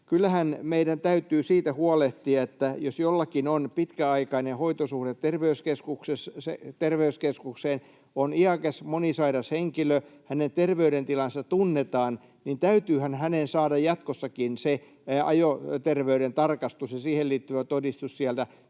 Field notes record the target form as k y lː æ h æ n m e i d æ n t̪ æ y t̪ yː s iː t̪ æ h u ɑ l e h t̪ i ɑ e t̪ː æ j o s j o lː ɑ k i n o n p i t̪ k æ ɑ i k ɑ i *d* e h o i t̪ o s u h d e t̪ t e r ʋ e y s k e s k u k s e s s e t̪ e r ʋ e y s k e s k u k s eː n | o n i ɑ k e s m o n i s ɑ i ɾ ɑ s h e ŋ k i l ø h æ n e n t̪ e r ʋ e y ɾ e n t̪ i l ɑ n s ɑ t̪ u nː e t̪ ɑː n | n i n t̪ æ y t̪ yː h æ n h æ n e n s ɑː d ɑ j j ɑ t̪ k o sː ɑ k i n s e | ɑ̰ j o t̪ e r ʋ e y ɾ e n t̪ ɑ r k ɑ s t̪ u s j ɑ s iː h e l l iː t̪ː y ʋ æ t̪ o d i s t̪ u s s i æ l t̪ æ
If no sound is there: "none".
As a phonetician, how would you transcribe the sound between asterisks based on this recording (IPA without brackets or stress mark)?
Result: n